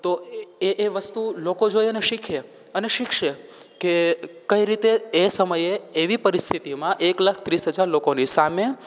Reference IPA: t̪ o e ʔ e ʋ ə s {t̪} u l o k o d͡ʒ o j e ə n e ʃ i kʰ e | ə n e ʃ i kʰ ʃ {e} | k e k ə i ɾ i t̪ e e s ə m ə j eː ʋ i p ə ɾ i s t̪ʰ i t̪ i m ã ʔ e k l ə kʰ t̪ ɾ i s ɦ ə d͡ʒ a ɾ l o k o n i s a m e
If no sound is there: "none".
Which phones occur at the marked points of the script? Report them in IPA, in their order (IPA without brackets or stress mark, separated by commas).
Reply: t̪, e